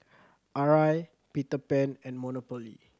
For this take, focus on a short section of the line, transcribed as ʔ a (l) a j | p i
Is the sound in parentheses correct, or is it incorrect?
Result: incorrect